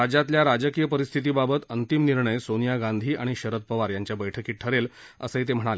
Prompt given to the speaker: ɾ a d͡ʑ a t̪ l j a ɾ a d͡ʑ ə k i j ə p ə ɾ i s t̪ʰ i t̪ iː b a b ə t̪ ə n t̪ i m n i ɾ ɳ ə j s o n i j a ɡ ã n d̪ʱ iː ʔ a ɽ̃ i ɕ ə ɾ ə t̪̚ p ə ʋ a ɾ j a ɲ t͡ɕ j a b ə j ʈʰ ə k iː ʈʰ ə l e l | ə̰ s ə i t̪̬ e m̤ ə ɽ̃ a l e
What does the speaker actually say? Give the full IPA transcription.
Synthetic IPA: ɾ a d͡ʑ a t̪ l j a ɾ a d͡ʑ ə k i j ə p ə ɾ i s t̪ʰ i t̪ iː b a b ə t̪ ə n t̪ i m n i ɾ ɳ ə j s o n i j a ɡ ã n d̪ʱ iː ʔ a ɽ̃ i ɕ ə ɾ ə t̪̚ p ə ʋ a ɾ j a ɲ t͡ɕ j a b ə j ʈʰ ə k iː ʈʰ ə ɾ e l | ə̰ s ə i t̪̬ e m̤ ə ɽ̃ a l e